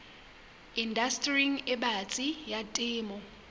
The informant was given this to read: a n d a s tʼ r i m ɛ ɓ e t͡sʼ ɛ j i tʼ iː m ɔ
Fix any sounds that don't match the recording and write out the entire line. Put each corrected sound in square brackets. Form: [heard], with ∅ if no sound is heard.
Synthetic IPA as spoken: [i] n d a s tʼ r i [ŋ] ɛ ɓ [a] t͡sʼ [i] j [a] tʼ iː m ɔ